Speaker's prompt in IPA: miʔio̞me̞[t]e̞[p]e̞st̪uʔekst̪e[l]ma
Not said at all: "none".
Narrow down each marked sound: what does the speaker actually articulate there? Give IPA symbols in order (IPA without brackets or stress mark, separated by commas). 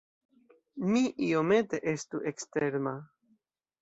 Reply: t, ʔ, ɾ